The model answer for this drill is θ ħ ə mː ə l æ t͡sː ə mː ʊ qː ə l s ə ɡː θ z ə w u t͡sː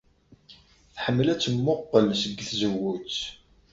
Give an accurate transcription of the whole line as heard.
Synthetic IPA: θ ħ ə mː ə l æ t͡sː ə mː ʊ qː ə l s ə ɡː θ z ə w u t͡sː